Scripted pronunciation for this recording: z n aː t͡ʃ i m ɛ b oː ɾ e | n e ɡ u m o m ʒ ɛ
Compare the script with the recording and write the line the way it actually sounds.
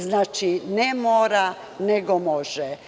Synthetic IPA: z n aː t͡ʃ i n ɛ m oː ɾ a | n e ɡ o m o ʒ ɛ

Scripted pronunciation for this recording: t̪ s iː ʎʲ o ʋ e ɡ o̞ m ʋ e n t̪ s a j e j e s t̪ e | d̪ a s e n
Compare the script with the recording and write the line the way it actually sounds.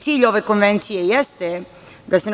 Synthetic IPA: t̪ s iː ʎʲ o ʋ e k o̞ n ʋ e n t̪ s i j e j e s t̪ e | d̪ a s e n

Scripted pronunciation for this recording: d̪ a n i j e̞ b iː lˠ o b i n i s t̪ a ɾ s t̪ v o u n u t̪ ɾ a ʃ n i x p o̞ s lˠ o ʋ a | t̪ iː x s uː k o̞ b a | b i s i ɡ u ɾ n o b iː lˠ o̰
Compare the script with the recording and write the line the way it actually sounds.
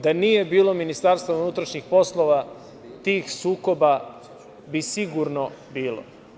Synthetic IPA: d̪ a n i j e̞ b iː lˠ o m i n i s t̪ a ɾ s t̪ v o u n u t̪ ɾ a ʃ ɲ i x p o̞ s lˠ o ʋ a | t̪ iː x s uː k o̞ b a | b i s i ɡ u ɾ n o b iː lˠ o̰

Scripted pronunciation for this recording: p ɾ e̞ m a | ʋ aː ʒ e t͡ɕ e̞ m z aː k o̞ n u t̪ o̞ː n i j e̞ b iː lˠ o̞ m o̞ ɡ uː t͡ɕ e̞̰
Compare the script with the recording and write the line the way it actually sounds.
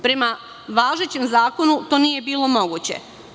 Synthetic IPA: p ɾ e̞ m a | ʋ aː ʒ e t͡ɕ e̞ m z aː k o̞ n u t̪ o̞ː n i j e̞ b iː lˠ o̞ m o̞ ɡ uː t͡ɕ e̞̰

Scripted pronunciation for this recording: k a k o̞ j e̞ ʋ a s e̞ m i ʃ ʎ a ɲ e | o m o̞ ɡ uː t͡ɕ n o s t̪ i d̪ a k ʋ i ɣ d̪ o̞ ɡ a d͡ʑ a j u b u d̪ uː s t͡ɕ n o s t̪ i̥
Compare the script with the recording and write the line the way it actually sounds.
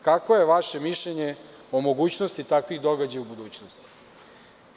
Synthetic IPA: k a k o̞ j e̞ ʋ a ʃ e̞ m i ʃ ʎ e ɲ e | o m o̞ ɡ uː t͡ɕ n o s t̪ i t̪ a k ʋ i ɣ d̪ o̞ ɡ a d͡ʑ a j u b u d̪ uː t͡ɕ n o s t̪ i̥

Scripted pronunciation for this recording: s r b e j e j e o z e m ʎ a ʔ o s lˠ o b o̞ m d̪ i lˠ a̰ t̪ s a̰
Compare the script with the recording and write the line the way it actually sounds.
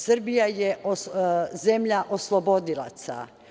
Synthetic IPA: s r b i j a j e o z e m ʎ a ʔ o s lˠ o b o̞ d̪ i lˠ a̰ t̪ s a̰

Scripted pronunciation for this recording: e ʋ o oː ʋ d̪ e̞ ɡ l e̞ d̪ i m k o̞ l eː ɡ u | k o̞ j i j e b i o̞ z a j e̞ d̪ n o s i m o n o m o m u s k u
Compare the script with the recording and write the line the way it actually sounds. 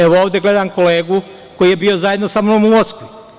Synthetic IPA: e ʋ o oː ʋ d̪ e̞ ɡ l e̞ d̪ a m k o̞ l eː ɡ u | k o̞ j i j e b i o̞ z a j e̞ d̪ n o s a m o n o m u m o s k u

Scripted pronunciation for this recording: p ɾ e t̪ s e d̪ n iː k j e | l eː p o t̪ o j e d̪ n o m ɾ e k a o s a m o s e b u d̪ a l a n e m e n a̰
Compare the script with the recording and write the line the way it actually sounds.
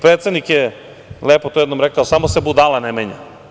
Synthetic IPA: p ɾ e t̪ s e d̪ n i k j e | l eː p o t̪ o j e d̪ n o m ɾ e k a o s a m o s e b u d̪ a l a n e m e ɲ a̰

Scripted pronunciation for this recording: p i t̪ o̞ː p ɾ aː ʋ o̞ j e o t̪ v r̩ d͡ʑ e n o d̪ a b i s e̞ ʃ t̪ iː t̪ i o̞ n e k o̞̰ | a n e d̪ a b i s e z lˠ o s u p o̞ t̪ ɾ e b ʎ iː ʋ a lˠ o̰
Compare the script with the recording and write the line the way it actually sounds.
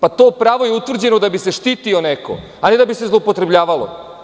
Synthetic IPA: p a t̪ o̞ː p ɾ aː ʋ o̞ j e u t̪ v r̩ d͡ʑ e n o d̪ a b i s e̞ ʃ t̪ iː t̪ i o̞ n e k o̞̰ | a n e d̪ a b i s e z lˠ o u p o̞ t̪ ɾ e b ʎ aː ʋ a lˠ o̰

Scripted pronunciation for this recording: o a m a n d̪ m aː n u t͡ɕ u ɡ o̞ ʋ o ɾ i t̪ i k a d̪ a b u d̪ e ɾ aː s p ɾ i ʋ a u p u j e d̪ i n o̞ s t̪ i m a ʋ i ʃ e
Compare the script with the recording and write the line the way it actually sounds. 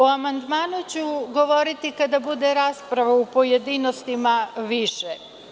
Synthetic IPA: o a m a n d̪ m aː n u t͡ɕ u ɡ o̞ ʋ o ɾ i t̪ i k a d̪ a b u d̪ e ɾ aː s p ɾ a ʋ a u p o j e d̪ i n o̞ s t̪ i m a ʋ i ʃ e

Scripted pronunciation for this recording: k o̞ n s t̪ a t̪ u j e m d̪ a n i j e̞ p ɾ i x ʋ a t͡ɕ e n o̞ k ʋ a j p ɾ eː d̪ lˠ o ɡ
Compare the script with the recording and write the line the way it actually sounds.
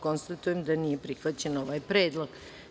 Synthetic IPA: k o̞ n s t̪ a t̪ u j e m d̪ a n i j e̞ p ɾ i x ʋ a t͡ɕ e n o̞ ʋ a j p ɾ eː d̪ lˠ o ɡ

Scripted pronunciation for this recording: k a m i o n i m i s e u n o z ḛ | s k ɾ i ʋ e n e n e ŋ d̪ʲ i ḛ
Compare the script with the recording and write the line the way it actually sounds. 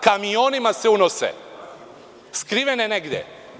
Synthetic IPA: k a m i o n i m a s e u n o s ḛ | s k ɾ i ʋ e n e n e ɡ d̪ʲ j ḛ

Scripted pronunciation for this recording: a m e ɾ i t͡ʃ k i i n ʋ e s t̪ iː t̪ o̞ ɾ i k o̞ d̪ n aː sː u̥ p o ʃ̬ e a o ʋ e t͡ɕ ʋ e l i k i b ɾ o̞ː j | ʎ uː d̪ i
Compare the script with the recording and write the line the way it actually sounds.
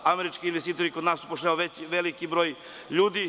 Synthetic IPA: a m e ɾ i t͡ʃ k i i n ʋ e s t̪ iː t̪ o̞ ɾ i k o̞ d̪ n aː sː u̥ p o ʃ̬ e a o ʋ e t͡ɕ ʋ e l i k i b ɾ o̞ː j | ʎ uː d̪ i

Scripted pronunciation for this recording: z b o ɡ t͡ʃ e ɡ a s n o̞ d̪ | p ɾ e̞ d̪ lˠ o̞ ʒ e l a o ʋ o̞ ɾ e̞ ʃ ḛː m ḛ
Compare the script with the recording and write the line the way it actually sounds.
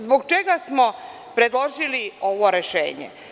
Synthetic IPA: z b o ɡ t͡ʃ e ɡ a s m o̞ | p ɾ e̞ d̪ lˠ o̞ ʒ i l i o ʋ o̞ ɾ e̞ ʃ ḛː ɲ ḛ

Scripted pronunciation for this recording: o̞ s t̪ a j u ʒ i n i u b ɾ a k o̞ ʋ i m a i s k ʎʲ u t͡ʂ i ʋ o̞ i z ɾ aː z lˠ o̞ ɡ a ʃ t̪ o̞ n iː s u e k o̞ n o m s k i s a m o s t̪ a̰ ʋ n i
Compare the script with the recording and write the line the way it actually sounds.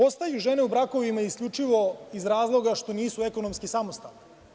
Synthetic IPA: o̞ s t̪ a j u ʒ e n e u b ɾ a k o̞ ʋ i m a i s k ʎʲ u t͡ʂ i ʋ o̞ i z ɾ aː z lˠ o̞ ɡ a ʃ t̪ o̞ n iː s u e k o̞ n o m s k i s a m o s t̪ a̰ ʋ n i

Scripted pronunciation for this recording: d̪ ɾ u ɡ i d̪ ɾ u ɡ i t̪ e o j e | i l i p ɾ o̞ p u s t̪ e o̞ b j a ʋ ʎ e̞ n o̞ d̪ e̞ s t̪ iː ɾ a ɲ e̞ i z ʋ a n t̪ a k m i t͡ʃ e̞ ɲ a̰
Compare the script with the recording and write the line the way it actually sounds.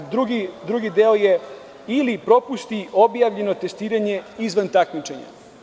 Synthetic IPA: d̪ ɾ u ɡ i d̪ ɾ u ɡ i d̪ e o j e | i l i p ɾ o̞ p u s t̪ i o̞ b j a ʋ ʎ e̞ n o̞ t̪ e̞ s t̪ iː ɾ a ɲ e̞ i z ʋ a n t̪ a k m i t͡ʃ e̞ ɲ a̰

